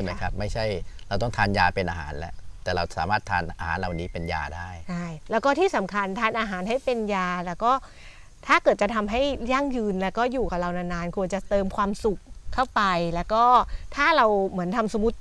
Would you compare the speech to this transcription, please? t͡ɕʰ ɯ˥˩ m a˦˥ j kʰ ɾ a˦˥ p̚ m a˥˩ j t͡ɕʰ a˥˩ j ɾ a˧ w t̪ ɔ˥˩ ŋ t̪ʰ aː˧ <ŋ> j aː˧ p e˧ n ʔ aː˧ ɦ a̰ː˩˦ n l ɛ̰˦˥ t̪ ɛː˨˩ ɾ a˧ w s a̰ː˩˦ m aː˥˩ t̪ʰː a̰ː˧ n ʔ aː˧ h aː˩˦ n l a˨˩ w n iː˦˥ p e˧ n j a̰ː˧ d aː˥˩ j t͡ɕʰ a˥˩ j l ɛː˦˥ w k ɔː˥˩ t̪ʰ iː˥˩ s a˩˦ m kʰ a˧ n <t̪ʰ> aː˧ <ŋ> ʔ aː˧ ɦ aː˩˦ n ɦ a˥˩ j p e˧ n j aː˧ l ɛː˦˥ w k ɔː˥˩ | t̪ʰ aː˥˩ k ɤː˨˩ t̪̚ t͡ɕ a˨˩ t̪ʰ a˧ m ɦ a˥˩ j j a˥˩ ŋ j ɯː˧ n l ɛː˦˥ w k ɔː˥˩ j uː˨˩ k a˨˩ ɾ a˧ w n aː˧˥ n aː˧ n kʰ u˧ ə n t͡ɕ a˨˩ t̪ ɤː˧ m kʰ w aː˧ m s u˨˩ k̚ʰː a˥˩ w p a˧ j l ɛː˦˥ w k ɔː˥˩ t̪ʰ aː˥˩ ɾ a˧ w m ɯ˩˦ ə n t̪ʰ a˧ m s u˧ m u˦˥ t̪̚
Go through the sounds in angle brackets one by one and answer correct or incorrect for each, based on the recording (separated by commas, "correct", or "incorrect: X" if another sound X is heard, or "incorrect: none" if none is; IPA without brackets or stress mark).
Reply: incorrect: n, correct, incorrect: n